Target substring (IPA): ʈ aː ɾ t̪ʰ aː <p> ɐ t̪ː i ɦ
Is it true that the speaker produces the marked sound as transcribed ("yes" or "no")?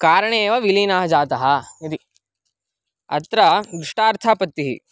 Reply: yes